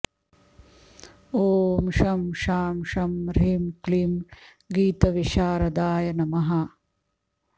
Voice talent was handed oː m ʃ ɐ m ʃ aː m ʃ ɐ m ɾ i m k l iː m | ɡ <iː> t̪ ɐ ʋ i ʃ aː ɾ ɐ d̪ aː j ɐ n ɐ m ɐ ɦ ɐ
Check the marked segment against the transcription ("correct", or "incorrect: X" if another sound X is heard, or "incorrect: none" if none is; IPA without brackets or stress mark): correct